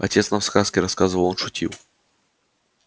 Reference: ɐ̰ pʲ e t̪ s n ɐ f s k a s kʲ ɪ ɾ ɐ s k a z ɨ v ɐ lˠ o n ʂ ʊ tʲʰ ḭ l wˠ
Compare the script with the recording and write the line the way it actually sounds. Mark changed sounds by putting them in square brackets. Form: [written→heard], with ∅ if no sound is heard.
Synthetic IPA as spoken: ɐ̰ [pʲ→tʲ] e t̪ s n ɐ f s k a s kʲ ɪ ɾ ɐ s k a z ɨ v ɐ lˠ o n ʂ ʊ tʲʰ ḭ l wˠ